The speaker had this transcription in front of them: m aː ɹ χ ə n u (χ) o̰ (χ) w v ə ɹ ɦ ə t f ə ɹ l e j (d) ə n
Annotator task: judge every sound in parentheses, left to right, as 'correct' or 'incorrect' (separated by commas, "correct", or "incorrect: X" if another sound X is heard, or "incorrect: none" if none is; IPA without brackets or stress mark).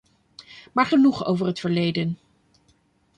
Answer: correct, incorrect: none, correct